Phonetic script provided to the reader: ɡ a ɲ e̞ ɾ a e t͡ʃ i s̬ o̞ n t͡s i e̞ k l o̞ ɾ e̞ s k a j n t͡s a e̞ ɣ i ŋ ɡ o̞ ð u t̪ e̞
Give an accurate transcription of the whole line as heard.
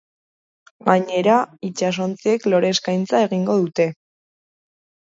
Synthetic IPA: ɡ a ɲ e̞ ɾ a i t͡ʃ a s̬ o̞ n t͡s i e̞ k l o̞ ɾ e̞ s k a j n t͡s a e̞ ɣ i ŋ ɡ o̞ ð u t̪ e̞